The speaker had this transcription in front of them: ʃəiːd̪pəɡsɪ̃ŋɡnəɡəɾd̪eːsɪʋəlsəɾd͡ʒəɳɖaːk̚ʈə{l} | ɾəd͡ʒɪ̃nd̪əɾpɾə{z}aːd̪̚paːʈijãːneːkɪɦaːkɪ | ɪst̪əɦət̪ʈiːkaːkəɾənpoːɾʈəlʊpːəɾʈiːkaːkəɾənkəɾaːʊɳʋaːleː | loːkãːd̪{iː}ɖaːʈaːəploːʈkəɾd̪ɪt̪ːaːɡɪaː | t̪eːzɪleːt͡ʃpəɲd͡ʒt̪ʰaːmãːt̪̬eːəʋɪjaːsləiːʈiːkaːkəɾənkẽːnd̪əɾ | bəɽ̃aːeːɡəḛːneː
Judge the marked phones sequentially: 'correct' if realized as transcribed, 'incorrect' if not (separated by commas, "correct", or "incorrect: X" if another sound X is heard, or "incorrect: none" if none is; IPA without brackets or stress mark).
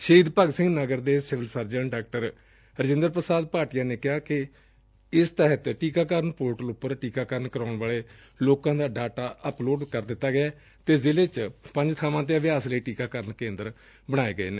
incorrect: ɾ, incorrect: s, incorrect: aː